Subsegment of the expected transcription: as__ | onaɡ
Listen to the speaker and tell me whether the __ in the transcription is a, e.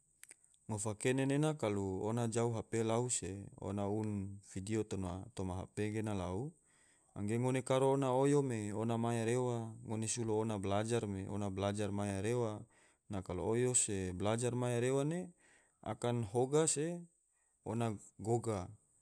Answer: e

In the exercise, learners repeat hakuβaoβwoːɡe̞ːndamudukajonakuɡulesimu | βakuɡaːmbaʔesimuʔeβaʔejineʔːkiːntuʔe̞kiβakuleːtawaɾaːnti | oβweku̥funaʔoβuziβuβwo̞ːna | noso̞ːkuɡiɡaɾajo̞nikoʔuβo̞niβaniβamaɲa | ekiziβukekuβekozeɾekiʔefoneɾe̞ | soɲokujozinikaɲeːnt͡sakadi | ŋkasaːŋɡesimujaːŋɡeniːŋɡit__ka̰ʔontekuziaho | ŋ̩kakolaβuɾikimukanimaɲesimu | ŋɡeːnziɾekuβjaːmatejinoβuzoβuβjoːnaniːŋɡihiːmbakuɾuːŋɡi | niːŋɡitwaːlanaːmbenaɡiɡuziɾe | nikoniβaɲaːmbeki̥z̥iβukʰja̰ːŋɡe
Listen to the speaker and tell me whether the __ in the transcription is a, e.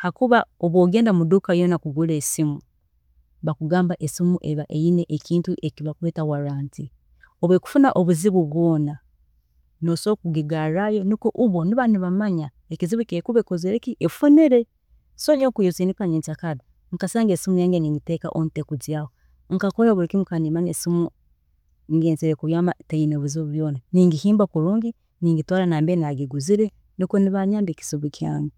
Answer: e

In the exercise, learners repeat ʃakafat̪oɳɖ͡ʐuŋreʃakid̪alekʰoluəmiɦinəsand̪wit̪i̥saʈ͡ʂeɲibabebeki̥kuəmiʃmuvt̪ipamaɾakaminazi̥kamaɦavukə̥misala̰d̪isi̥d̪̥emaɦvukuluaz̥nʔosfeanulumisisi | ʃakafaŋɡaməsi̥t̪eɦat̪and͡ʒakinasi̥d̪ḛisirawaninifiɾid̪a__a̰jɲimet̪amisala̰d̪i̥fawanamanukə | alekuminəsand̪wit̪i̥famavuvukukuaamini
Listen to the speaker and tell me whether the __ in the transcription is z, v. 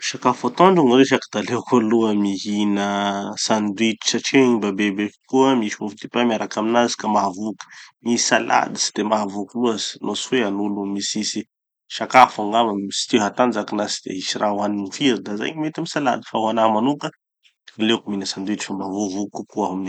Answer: z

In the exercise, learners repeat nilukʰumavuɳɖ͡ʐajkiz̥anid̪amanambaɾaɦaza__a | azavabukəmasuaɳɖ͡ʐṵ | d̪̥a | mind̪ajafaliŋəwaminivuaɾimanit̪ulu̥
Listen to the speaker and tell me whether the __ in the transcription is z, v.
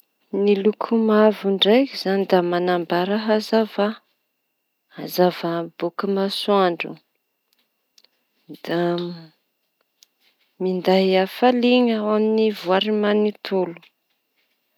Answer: v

